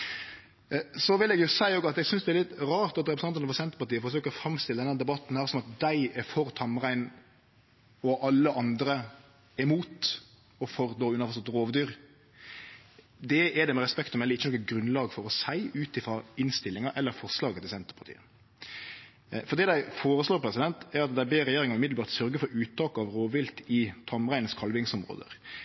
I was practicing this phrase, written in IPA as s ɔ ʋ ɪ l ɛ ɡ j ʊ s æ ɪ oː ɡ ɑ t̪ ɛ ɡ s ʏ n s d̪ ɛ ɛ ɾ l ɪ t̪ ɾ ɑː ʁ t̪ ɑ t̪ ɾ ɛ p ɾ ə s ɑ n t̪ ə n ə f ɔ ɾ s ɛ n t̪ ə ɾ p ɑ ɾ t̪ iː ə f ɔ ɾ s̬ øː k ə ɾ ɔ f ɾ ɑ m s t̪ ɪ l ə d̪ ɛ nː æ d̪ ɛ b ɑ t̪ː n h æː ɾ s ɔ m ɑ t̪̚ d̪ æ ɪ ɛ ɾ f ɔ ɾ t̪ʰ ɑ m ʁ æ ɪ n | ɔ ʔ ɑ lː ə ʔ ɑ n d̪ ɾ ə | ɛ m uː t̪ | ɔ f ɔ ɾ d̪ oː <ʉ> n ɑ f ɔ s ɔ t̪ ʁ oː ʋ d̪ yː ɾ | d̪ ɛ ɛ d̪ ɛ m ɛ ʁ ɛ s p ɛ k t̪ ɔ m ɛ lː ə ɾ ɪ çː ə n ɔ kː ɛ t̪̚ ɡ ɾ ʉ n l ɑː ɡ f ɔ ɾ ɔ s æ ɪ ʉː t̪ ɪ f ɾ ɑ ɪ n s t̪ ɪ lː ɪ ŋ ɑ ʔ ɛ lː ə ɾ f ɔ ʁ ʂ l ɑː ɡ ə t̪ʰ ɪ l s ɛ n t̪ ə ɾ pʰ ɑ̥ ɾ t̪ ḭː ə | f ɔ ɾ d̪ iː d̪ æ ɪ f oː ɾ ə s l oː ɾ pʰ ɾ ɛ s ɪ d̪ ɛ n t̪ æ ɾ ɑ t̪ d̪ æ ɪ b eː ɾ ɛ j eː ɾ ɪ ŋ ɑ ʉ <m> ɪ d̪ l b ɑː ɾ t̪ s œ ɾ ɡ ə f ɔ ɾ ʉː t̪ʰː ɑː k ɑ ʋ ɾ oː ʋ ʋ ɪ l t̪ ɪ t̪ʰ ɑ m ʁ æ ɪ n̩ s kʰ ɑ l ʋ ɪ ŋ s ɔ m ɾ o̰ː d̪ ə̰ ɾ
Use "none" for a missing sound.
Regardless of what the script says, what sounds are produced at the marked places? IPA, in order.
ʉ, m

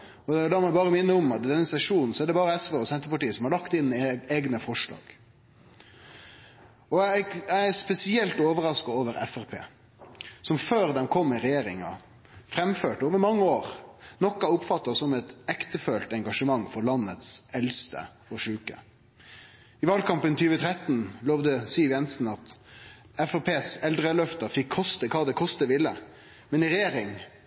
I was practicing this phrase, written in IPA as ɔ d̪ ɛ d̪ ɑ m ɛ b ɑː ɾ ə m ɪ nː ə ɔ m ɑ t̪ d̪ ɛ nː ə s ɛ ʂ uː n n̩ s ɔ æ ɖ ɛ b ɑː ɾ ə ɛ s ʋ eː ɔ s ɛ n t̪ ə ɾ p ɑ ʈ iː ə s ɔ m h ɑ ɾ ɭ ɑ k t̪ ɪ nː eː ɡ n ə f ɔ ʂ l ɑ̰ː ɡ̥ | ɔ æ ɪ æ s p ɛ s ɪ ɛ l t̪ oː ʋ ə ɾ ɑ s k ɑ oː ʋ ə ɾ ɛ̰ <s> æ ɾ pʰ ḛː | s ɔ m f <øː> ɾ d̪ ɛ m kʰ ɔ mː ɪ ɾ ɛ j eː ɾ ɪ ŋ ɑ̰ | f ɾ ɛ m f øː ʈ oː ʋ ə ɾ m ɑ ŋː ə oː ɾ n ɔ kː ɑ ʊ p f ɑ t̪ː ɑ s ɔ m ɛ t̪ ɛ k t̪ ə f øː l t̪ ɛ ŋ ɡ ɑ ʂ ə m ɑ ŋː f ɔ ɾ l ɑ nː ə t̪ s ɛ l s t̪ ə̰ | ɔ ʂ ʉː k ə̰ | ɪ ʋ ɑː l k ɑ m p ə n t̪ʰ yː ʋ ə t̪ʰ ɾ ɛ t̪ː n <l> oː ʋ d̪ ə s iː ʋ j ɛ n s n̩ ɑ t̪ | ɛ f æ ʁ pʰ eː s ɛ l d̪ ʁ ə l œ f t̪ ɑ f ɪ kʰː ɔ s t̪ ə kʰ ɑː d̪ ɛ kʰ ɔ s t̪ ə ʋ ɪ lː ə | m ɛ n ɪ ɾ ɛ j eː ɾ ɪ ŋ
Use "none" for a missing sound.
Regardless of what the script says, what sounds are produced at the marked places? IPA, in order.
f, øː, l

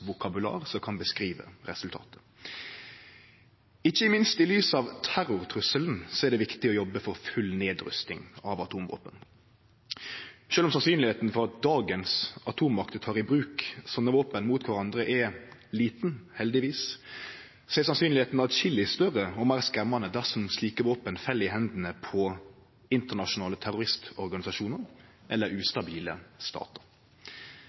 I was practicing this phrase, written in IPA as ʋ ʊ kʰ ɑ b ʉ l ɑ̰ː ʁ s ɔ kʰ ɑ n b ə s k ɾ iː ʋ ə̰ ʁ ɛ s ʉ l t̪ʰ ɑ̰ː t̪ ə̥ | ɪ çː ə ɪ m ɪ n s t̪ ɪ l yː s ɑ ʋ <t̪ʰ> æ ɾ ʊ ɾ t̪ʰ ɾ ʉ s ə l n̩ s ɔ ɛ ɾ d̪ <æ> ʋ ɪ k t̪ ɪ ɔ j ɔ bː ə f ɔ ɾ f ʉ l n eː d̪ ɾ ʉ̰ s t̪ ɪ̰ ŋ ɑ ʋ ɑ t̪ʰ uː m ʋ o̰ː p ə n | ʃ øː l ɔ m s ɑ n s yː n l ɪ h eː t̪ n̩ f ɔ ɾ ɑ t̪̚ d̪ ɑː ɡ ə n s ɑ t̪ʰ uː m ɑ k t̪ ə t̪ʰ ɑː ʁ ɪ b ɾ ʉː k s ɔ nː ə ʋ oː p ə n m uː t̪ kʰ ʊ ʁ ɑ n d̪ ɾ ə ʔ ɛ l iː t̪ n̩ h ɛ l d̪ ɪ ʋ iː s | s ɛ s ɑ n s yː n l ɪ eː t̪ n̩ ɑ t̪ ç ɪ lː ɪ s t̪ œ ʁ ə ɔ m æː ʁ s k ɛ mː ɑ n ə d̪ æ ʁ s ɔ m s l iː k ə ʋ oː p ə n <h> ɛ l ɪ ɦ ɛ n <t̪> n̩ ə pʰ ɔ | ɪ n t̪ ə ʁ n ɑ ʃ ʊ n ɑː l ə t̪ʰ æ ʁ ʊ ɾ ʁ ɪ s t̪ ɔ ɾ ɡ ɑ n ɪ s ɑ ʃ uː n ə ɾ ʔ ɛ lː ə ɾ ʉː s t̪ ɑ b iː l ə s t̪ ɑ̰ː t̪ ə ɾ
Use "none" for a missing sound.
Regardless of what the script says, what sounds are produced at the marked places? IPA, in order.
t̪ʰ, ɛ, f, d̪

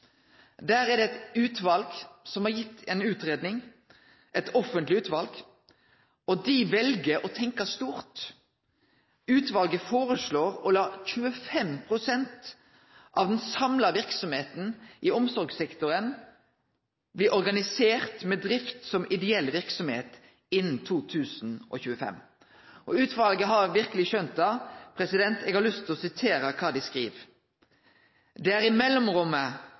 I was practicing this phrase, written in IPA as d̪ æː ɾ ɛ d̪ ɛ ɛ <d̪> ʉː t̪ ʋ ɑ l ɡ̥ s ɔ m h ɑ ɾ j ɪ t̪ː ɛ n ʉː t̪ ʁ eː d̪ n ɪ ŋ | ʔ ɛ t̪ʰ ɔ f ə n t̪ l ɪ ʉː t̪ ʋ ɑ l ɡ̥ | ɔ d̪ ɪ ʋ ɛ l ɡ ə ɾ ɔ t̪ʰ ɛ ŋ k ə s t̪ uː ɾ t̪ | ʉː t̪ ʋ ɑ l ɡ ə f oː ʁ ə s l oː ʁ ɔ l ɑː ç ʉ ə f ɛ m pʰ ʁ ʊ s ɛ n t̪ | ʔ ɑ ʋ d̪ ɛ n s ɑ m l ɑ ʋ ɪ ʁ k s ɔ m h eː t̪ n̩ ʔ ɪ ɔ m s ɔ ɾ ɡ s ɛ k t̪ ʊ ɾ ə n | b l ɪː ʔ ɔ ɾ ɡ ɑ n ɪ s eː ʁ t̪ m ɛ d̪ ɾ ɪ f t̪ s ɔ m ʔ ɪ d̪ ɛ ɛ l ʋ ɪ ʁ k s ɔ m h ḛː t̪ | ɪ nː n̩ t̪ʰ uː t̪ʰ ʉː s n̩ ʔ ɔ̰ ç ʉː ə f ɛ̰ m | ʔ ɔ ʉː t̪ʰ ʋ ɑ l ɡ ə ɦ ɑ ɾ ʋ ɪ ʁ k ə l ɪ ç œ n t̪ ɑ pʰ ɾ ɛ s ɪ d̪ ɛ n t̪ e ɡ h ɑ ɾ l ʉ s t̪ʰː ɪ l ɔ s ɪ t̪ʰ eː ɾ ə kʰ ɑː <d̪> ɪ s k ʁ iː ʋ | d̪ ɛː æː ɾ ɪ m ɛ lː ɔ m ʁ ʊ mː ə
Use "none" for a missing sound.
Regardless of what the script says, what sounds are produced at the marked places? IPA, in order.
t̪, d̪

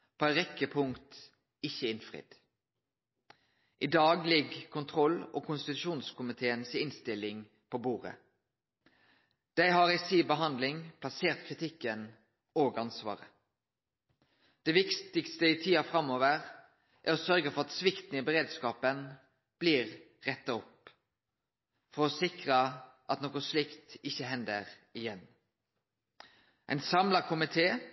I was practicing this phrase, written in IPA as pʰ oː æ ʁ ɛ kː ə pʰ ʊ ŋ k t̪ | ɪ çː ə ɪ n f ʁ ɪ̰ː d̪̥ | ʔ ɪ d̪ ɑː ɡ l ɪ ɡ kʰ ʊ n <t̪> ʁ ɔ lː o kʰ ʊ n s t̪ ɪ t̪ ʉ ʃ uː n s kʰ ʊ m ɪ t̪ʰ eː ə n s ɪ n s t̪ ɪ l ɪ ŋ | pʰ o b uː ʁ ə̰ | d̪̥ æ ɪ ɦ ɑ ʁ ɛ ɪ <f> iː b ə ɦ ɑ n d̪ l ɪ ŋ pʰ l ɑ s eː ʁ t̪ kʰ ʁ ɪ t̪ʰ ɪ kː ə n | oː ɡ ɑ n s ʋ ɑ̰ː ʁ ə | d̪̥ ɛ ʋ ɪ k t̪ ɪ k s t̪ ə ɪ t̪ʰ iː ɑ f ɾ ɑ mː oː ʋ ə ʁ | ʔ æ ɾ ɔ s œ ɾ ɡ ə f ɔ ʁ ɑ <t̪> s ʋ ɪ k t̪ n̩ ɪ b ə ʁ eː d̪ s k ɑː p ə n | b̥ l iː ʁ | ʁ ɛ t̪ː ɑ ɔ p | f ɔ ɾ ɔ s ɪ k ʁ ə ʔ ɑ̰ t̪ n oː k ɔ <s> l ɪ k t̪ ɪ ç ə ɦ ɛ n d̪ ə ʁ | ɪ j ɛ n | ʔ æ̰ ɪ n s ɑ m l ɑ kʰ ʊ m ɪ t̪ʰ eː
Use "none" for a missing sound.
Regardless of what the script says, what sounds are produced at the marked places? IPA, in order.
t̪ʰ, s, t̪, s

